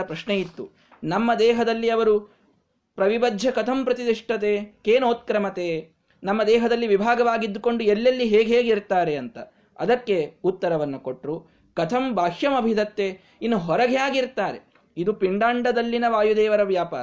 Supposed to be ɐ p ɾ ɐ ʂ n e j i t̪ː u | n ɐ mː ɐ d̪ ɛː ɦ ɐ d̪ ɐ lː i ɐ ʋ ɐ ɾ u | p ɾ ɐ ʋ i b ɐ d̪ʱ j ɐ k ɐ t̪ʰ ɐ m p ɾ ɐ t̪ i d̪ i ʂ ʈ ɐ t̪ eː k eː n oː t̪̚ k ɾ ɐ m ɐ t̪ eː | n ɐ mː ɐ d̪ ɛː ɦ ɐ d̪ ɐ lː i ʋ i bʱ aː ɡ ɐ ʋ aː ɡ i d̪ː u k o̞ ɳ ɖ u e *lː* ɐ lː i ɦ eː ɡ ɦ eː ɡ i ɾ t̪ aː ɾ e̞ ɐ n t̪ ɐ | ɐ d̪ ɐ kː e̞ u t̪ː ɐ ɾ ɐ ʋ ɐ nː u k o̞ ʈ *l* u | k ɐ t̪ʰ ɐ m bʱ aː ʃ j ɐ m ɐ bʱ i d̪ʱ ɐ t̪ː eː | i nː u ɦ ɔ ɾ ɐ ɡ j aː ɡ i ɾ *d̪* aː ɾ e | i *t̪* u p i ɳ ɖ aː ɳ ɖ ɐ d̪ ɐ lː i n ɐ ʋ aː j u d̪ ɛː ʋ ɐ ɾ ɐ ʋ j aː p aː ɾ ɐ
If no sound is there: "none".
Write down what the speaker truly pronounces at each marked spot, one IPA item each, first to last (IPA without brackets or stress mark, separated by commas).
lː, ɾ, t̪, d̪